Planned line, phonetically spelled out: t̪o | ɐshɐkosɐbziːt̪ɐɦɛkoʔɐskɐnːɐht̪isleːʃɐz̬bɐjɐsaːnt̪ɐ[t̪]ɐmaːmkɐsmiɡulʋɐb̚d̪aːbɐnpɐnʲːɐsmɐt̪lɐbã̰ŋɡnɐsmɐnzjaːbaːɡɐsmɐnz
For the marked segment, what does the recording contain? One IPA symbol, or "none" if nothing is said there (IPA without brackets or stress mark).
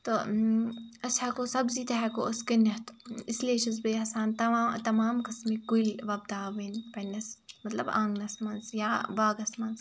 t̪